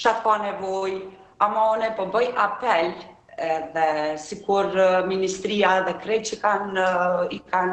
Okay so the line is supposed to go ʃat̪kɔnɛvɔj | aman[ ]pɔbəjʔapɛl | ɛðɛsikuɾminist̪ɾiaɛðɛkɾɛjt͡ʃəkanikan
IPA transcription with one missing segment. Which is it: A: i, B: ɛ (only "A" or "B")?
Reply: B